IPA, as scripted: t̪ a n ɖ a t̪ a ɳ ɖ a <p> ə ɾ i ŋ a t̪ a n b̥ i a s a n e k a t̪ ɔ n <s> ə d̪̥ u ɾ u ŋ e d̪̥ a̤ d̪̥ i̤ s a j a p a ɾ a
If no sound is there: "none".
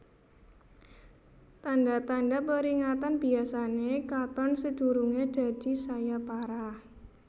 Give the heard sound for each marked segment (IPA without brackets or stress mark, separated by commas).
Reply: p, s